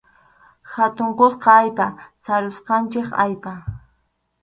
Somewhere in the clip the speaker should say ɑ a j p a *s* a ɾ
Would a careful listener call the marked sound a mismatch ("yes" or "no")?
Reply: no